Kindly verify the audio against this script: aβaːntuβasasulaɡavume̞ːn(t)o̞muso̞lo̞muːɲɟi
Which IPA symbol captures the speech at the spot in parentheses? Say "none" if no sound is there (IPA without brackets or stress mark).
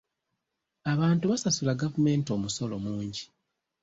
t